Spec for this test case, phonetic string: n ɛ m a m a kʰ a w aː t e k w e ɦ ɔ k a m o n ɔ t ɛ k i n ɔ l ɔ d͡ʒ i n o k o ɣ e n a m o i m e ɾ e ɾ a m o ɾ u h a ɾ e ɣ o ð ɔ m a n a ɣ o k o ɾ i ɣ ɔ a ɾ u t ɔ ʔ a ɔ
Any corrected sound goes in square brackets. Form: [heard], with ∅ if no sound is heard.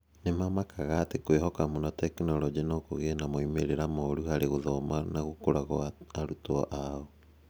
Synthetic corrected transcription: n [e] m a m a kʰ a [ɣ] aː t e k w e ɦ ɔ k a m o n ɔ t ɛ k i n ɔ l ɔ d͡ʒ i n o k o ɣ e n a m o i m e ɾ e ɾ a m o ɾ u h a ɾ e ɣ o ð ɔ m a n a ɣ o k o ɾ [a] ɣ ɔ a ɾ u t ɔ ʔ a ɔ